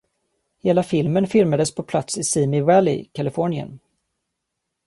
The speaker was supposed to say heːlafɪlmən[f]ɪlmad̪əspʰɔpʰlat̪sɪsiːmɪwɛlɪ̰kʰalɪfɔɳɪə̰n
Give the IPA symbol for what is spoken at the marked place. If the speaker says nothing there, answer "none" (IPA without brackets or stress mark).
f